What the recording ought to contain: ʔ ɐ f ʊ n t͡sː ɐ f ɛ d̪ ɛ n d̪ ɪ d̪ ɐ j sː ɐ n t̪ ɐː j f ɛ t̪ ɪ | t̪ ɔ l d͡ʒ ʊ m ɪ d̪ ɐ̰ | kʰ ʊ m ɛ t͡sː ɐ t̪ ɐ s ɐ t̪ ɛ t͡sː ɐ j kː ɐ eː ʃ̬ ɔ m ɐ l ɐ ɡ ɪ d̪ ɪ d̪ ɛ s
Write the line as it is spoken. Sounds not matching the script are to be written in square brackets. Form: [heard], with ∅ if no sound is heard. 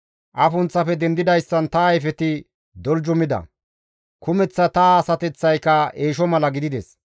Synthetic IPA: ʔ ɐ f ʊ n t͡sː ɐ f ɛ d̪ ɛ n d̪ ɪ d̪ ɐ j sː ɐ n t̪ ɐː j f ɛ t̪ ɪ | [d̪] ɔ l d͡ʒ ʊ m ɪ d̪ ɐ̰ | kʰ ʊ m ɛ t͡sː ɐ t̪ ɐ s ɐ t̪ ɛ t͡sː ɐ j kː ɐ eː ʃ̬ ɔ m ɐ l ɐ ɡ ɪ d̪ ɪ d̪ ɛ s